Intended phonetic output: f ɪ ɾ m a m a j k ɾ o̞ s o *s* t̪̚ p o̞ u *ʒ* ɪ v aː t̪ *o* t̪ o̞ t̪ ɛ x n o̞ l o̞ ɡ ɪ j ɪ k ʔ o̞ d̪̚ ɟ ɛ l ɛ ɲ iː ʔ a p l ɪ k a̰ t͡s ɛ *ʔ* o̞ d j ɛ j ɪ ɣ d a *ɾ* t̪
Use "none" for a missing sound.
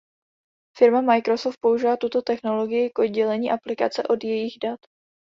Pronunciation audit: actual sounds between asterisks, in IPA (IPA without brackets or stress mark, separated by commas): f, ʒ, u, ʔ, none